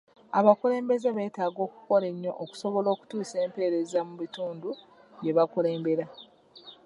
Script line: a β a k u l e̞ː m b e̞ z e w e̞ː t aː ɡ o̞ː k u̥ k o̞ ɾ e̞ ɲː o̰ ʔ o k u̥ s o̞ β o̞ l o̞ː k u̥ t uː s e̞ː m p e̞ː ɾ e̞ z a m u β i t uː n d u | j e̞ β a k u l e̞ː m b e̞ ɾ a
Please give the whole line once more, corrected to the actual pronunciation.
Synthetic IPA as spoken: a β a k u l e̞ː m b e̞ z e β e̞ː t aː ɡ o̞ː k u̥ k o̞ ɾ e̞ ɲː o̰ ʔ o k u̥ s o̞ β o̞ l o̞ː k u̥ t uː s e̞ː m p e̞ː ɾ e̞ z a m u β i t uː n d u | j e̞ β a k u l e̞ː m b e̞ ɾ a